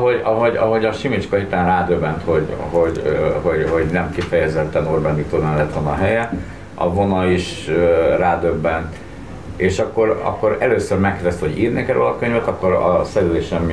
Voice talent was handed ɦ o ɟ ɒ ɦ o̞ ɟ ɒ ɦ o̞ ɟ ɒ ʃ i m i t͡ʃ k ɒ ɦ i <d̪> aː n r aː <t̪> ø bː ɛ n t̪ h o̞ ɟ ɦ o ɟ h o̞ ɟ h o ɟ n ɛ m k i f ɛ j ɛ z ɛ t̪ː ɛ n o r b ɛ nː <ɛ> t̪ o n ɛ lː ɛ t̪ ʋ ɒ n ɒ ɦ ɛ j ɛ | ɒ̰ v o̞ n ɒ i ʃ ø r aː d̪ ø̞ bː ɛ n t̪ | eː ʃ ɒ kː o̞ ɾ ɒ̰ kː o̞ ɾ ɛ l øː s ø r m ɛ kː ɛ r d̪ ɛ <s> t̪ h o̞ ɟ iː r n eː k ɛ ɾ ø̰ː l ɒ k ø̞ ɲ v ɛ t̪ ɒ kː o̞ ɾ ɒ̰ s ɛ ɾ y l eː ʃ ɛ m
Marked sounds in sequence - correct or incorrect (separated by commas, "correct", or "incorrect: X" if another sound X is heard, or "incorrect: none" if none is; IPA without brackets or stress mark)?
incorrect: t̪, incorrect: d̪, incorrect: i, correct